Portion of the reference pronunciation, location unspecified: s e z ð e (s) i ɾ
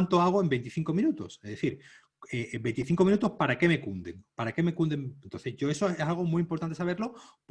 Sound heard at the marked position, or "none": θ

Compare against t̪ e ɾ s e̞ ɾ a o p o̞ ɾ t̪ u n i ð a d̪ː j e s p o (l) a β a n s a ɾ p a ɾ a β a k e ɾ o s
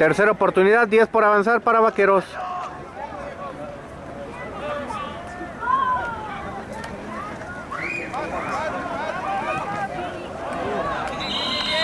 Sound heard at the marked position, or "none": ɾ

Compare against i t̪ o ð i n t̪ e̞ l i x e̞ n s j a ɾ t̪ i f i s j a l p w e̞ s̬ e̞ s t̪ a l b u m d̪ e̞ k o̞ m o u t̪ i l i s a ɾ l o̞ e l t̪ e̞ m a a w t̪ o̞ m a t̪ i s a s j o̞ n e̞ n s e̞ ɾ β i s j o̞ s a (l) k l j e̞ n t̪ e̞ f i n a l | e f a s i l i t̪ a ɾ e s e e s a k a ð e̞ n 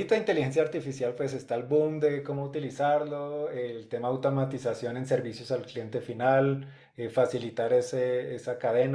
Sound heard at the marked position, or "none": l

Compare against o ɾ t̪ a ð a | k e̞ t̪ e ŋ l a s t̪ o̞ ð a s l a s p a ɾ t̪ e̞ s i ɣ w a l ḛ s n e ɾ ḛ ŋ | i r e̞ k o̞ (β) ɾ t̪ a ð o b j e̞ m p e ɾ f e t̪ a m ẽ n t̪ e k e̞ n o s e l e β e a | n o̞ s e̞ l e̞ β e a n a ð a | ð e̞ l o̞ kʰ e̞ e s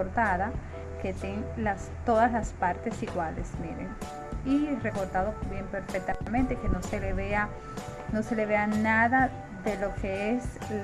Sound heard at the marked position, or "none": none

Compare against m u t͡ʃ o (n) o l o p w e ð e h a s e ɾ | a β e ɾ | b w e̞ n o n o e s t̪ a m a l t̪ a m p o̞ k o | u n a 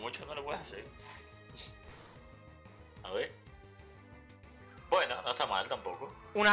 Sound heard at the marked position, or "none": n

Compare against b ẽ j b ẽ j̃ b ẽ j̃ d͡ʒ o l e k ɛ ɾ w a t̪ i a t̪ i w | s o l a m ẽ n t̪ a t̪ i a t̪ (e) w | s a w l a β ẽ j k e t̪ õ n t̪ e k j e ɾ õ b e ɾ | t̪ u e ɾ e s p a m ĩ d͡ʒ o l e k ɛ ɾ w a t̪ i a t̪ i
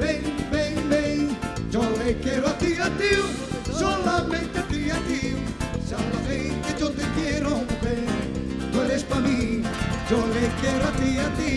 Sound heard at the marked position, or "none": i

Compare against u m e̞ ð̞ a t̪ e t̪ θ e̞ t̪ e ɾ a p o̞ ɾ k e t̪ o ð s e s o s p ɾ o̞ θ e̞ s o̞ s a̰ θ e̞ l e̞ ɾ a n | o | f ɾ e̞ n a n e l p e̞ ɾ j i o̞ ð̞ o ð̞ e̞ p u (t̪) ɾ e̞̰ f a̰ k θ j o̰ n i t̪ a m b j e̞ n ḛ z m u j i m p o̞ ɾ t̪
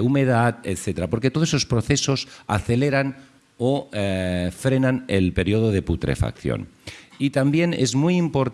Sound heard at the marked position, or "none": t̪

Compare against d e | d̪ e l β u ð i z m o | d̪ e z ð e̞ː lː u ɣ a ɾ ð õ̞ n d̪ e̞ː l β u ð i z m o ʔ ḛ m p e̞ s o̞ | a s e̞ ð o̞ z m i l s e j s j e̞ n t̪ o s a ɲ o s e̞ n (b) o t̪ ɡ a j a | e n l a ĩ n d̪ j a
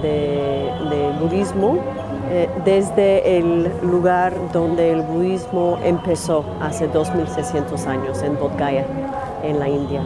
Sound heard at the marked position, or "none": b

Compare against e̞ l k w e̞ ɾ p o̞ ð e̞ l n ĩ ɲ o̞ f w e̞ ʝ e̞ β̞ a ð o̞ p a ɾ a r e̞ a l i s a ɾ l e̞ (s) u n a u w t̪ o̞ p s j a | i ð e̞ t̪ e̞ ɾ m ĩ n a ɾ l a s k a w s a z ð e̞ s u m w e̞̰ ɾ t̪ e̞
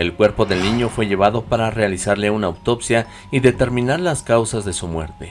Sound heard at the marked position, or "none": none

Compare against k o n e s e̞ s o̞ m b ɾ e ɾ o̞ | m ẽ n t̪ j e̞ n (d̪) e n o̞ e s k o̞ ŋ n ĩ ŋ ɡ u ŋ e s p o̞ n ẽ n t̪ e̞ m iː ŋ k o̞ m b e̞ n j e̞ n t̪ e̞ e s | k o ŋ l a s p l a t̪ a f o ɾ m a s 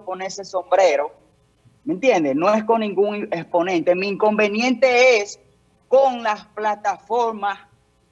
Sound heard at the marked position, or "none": d̪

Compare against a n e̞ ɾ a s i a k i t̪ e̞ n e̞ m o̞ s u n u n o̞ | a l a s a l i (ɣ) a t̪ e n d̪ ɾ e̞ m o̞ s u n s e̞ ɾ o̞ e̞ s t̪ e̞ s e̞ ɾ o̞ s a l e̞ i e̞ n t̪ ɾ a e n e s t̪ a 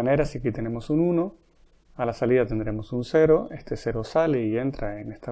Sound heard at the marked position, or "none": ð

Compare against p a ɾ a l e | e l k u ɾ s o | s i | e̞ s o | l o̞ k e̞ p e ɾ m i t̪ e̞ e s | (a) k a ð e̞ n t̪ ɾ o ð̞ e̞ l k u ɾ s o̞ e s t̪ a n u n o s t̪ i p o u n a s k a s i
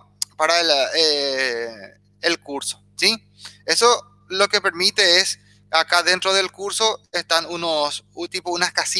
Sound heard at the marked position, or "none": a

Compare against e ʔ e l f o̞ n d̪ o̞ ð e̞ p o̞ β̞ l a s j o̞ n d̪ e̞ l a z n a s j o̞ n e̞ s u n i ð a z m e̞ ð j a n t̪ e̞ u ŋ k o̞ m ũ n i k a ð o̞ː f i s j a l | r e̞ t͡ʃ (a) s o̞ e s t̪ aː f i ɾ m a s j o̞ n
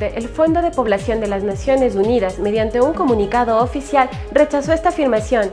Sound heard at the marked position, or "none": a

